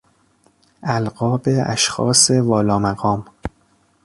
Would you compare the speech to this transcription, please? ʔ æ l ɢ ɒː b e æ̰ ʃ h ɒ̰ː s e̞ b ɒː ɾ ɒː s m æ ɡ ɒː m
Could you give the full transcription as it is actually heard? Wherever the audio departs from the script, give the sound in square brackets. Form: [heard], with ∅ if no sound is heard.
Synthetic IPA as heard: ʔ æ l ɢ ɒː b e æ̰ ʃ [x] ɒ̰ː s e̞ [v] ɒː [l] ɒː [∅] m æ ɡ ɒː m